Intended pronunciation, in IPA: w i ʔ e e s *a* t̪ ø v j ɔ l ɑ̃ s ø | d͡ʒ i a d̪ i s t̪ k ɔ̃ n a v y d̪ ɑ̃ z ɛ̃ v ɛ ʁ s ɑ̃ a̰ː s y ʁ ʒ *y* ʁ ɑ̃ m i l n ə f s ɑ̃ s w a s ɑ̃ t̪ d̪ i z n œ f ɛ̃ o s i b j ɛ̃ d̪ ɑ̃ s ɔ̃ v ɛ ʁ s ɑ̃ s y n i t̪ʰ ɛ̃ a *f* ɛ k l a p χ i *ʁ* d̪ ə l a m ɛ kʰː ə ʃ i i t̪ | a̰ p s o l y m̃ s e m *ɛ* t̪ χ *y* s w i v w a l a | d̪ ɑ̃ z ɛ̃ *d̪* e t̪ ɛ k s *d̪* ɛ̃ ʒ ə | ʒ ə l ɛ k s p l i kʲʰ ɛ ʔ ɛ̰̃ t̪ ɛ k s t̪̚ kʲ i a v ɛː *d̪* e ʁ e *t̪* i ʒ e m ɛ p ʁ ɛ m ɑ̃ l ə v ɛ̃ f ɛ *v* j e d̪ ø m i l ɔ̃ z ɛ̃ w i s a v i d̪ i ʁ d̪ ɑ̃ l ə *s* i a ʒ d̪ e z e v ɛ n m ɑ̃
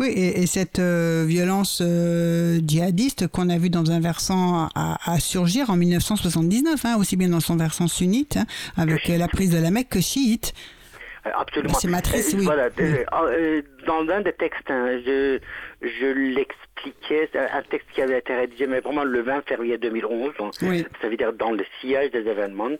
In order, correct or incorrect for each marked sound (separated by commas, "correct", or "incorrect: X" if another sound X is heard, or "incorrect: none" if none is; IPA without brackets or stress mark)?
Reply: incorrect: ɛ, incorrect: i, incorrect: v, incorrect: z, incorrect: a, incorrect: i, correct, incorrect: t̪, incorrect: t̪, incorrect: d̪, incorrect: ʁ, correct